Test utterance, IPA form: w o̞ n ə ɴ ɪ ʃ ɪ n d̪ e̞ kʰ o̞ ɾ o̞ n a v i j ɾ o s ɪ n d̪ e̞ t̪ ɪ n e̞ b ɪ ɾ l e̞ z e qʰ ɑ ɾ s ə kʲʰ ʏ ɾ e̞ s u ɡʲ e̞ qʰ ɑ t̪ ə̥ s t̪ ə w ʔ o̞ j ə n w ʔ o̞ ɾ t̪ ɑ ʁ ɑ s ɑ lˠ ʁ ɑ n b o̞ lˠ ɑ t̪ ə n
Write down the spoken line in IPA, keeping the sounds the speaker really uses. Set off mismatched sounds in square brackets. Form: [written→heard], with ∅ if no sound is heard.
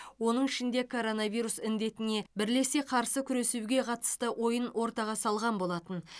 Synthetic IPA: w o̞ n ə ɴ ɪ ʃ ɪ n d̪ e̞ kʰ o̞ ɾ o̞ n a v i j ɾ [o→u] s ɪ n d̪ e̞ t̪ ɪ n e̞ b ɪ ɾ l e̞ [z→s] e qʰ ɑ ɾ s ə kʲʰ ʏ ɾ e̞ s u ɡʲ e̞ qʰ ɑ t̪ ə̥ s t̪ ə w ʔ o̞ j ə n w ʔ o̞ ɾ t̪ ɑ ʁ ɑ s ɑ lˠ ʁ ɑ n b o̞ lˠ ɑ t̪ ə n